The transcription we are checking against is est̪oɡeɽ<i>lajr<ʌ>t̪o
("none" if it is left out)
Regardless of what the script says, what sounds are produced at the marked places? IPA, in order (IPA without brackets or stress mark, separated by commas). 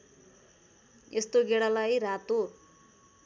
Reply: a, a